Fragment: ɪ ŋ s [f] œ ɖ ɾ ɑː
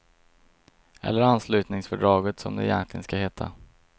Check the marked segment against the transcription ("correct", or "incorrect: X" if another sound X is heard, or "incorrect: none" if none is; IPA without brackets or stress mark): correct